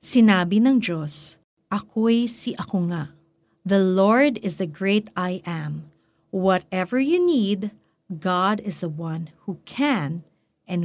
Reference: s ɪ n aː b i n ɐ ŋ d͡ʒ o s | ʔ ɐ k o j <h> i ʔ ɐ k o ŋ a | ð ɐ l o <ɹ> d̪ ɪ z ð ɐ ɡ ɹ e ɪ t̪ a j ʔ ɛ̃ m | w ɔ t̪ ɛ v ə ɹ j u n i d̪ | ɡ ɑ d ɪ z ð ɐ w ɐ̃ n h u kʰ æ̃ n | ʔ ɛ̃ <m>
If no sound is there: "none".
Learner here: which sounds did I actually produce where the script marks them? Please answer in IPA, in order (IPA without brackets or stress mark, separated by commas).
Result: s, ɹ, n